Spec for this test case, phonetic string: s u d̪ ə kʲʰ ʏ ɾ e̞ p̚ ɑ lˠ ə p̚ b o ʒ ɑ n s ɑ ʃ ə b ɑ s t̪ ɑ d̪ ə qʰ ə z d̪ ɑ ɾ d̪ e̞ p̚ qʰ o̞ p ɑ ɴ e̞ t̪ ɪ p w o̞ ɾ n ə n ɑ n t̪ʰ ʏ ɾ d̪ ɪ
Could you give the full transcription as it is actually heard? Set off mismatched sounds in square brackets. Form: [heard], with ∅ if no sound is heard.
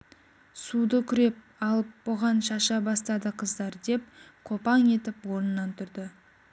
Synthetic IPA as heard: s u d̪ ə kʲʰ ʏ ɾ e̞ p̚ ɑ lˠ ə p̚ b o [ʁ] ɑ n [ʃ] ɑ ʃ [ɑ] b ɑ s t̪ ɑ d̪ ə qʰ ə z d̪ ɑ ɾ d̪ e̞ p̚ qʰ o̞ p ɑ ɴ e̞ t̪ ɪ p w o̞ ɾ n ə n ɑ n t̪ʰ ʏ ɾ d̪ ɪ